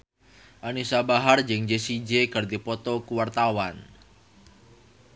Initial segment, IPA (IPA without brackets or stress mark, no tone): ʔ